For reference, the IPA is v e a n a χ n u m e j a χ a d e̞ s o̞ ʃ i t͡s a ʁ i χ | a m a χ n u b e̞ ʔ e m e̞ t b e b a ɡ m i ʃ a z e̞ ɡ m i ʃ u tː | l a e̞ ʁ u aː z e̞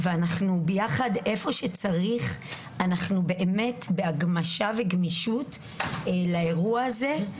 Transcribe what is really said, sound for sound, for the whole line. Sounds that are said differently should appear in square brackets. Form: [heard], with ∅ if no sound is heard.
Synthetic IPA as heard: v e a n a χ n u [b] e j a χ a d e̞ [f] o̞ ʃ [e] t͡s a ʁ i χ | a [n] a χ n u b e̞ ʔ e m e̞ t b e [∅] a ɡ m [a] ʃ a [v] e̞ ɡ m i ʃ u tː | l a e̞ ʁ u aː z e̞